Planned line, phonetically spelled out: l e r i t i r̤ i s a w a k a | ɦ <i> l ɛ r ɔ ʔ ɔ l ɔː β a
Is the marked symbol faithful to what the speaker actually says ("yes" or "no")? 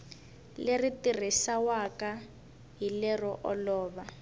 yes